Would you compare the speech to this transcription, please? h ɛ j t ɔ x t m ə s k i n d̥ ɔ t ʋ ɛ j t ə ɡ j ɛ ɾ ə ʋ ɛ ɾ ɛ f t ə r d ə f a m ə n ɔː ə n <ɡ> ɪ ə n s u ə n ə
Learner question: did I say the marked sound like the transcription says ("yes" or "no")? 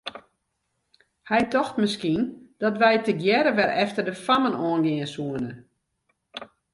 yes